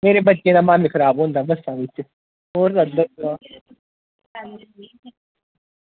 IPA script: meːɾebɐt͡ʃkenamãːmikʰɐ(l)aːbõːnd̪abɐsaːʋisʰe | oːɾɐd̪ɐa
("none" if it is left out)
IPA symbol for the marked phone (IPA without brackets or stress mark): ɾ